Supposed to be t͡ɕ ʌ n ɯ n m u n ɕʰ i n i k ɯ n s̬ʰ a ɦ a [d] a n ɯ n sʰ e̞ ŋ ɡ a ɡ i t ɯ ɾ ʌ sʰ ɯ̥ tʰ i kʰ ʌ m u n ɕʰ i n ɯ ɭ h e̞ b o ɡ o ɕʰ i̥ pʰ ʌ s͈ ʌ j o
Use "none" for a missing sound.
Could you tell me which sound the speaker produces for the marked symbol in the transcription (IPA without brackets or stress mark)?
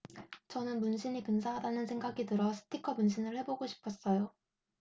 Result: d